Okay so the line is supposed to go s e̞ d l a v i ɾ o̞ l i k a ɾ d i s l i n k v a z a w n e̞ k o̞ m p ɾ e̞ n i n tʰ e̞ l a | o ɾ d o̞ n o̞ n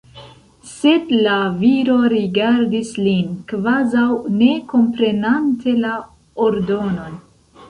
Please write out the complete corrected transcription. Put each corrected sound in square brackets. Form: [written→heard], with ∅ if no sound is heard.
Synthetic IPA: s e̞ d l a v i ɾ o̞ [l→ɾ] i [k→ɡ] a ɾ d i s l i n k v a z a w n e̞ k o̞ m p ɾ e̞ n [i→a] n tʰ e̞ l a | o ɾ d o̞ n o̞ n